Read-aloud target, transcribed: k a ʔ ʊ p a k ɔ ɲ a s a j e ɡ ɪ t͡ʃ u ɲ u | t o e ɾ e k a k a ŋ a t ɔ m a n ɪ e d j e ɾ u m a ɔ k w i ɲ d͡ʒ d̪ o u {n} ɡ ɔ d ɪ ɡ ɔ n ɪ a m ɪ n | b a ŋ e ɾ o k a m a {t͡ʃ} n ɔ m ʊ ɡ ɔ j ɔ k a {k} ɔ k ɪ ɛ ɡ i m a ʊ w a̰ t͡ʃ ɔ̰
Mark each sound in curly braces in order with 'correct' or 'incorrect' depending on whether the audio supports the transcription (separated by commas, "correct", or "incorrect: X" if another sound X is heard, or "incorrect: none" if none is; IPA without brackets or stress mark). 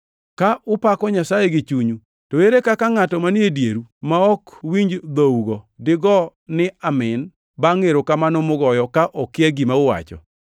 incorrect: none, incorrect: none, incorrect: ʔ